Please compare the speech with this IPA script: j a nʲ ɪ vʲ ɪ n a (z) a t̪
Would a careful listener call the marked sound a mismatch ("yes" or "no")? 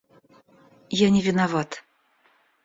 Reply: yes